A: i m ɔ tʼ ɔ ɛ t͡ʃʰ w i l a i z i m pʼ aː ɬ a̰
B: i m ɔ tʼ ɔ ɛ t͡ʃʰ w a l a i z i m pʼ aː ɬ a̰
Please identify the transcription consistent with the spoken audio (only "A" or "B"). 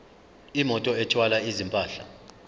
B